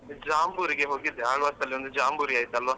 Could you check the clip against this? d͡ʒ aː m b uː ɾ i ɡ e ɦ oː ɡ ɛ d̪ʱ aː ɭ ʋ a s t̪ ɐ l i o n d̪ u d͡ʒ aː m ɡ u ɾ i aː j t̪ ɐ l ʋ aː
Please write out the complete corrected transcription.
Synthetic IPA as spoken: d͡ʒ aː m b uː ɾ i ɡ e ɦ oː ɡ i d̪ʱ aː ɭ ʋ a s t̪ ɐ l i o n d̪ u d͡ʒ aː m b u ɾ i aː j t̪ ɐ l ʋ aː